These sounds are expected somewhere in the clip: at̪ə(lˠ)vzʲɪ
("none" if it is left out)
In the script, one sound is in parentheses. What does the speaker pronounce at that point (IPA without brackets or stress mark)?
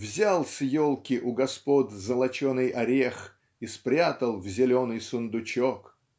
lˠ